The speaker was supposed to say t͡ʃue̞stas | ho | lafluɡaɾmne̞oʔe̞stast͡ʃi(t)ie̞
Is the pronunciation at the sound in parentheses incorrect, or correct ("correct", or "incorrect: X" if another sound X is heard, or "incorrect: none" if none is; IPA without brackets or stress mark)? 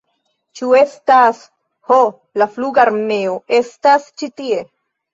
correct